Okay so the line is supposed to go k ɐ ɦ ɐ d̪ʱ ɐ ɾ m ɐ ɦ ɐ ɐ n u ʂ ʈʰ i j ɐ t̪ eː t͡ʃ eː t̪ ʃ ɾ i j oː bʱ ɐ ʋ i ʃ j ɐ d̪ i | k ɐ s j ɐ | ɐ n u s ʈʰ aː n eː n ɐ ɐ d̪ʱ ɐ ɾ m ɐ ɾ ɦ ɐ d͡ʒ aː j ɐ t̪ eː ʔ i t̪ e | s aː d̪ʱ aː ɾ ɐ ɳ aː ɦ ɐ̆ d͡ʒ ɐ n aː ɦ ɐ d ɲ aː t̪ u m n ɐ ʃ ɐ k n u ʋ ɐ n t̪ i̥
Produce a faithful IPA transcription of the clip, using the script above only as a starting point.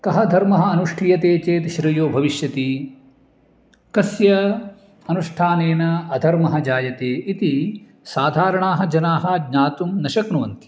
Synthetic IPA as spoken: k ɐ ɦ ɐ d̪ʱ ɐ ɾ m ɐ ɦ ɐ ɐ n u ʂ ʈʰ i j ɐ t̪ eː t͡ʃ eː t̪ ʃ ɾ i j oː bʱ ɐ ʋ i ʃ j ɐ t̪ i | k ɐ s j ɐ | ɐ n u ʂ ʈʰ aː n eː n ɐ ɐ d̪ʱ ɐ ɾ m ɐ ɦ ɐ d͡ʒ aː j ɐ t̪ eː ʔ i t̪ i | s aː d̪ʱ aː ɾ ɐ ɳ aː ɦ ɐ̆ d͡ʒ ɐ n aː ɦ ɐ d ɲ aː t̪ u m n ɐ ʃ ɐ k n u ʋ ɐ n t̪ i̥